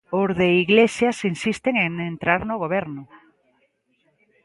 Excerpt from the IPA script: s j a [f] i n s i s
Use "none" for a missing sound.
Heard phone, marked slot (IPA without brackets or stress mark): s